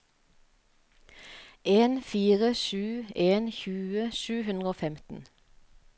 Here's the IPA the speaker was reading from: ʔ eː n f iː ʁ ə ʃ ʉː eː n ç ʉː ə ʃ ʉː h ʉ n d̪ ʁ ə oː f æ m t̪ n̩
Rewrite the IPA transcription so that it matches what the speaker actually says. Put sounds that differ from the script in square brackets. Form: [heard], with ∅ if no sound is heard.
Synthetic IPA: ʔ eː n f iː ʁ ə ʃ ʉː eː n ç ʉː ə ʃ ʉː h ʉ n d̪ ʁ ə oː f [ɛ] m t̪ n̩

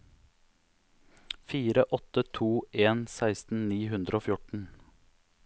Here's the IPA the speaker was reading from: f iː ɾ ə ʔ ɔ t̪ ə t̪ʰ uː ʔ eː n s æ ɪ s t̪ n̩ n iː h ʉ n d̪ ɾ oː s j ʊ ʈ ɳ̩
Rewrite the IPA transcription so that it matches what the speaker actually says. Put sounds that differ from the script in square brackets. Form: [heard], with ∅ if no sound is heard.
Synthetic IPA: f iː ɾ ə ʔ ɔ t̪ ə t̪ʰ uː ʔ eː n s æ ɪ s t̪ n̩ n iː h ʉ n d̪ ɾ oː [f] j ʊ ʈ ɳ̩

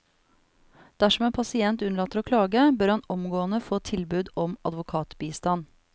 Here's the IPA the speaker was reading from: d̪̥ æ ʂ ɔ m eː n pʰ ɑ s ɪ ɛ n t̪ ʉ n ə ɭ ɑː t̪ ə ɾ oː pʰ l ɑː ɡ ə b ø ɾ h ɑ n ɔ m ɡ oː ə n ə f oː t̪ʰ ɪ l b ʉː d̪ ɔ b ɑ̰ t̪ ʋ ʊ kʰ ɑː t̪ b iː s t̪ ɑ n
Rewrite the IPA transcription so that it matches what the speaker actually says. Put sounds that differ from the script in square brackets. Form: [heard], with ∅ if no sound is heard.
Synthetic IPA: d̪̥ æ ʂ ɔ m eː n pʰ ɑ s ɪ ɛ n t̪ ʉ n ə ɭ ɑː t̪ ə ɾ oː [kʰ] l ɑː ɡ ə b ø ɾ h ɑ n ɔ m ɡ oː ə n ə f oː t̪ʰ ɪ l b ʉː d̪ ɔ [m] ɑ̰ [d̪] ʋ ʊ kʰ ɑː t̪ b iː s t̪ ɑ n

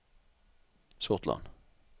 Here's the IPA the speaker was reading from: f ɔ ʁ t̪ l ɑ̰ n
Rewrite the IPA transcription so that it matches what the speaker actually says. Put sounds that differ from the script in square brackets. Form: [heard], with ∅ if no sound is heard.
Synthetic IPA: [s] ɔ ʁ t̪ l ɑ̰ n

